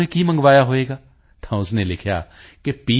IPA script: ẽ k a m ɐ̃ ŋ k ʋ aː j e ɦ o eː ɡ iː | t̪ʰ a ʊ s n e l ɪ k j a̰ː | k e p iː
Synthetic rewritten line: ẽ k i m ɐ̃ ŋ ɡ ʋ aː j a ɦ o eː ɡ aː | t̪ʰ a ʊ s n e l ɪ kʰ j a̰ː | k e p iː